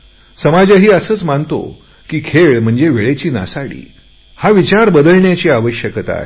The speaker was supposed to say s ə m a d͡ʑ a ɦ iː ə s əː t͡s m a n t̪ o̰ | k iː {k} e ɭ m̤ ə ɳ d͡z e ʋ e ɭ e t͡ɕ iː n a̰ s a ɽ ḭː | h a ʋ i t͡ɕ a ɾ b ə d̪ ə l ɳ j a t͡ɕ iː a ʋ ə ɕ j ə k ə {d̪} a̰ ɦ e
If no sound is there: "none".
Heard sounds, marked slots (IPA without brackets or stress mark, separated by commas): kʰ, t̪